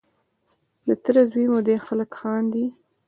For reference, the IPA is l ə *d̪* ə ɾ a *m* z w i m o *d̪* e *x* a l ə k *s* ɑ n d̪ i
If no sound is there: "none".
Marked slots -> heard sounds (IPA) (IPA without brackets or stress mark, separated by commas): t̪, none, d̪, x, x